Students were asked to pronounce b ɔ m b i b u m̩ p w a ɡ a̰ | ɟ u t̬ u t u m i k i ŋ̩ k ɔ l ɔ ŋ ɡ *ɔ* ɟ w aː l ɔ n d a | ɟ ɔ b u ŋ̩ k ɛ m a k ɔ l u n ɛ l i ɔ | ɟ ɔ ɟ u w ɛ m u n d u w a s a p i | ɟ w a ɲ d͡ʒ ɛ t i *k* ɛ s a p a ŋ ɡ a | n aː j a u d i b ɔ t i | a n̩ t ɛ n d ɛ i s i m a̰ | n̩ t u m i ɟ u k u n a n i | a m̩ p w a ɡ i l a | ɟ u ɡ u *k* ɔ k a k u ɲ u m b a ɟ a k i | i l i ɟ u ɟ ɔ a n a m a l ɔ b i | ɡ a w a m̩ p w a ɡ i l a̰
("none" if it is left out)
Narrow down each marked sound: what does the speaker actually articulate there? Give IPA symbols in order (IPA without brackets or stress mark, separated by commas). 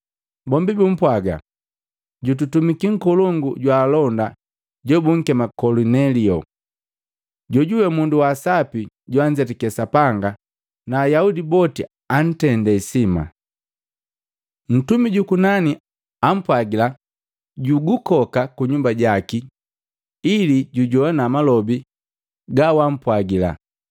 u, k, k